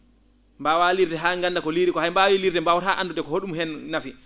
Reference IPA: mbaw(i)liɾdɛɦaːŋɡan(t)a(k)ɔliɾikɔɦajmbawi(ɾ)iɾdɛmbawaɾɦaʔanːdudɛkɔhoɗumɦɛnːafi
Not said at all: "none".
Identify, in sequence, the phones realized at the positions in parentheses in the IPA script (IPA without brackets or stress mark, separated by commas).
a, d, k, l